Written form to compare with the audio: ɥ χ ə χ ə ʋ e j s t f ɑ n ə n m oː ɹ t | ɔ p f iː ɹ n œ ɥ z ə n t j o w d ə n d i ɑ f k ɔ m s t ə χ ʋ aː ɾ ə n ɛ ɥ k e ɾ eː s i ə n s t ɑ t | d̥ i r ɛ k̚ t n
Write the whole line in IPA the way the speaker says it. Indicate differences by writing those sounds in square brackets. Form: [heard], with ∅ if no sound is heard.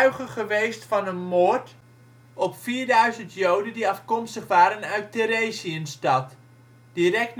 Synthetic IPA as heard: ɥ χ ə χ ə ʋ e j s t f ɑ n ə n m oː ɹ t | ɔ p f iː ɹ [d] œ ɥ z ə n t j o w d ə n d i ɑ f k ɔ m s t ə χ ʋ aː ɾ ə n [œ] ɥ [t] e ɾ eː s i ə n s t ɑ t | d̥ i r ɛ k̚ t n